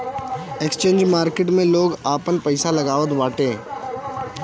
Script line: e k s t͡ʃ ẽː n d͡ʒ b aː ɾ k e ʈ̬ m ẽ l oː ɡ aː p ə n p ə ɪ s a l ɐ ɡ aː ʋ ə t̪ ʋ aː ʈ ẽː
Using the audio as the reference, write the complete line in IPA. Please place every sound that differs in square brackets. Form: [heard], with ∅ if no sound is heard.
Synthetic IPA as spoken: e k s t͡ʃ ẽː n d͡ʒ [m] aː ɾ k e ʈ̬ m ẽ l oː ɡ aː p ə n p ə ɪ s a l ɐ ɡ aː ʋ ə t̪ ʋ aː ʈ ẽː